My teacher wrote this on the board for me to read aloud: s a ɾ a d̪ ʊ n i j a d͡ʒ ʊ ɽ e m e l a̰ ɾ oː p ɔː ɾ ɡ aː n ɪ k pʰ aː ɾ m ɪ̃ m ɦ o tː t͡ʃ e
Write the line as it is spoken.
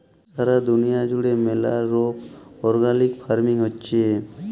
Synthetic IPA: s a ɾ a d̪ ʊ n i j a d͡ʒ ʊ ɽ e m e l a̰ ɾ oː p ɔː ɾ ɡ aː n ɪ k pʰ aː ɾ m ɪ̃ ŋ ɦ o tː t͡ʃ e